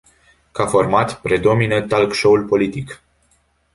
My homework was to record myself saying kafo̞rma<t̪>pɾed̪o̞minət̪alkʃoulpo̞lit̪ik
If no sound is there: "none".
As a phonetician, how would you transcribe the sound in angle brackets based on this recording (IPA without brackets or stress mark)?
t̪